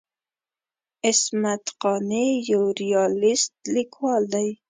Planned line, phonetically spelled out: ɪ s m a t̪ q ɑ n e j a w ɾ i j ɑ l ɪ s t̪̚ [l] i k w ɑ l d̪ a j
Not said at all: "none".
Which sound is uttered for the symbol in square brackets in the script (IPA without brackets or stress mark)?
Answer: l